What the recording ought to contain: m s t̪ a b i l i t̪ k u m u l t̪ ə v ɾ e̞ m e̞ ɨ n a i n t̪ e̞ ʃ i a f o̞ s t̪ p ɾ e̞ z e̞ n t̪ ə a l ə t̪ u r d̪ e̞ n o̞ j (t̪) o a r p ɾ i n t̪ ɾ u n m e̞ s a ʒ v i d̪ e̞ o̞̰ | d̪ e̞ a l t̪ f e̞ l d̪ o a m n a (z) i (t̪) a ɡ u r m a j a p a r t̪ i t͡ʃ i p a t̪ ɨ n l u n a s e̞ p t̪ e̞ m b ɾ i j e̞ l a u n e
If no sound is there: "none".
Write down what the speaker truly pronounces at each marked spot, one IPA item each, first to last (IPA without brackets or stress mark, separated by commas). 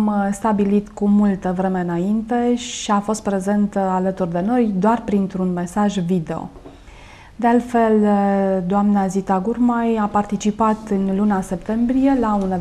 d̪, z, t̪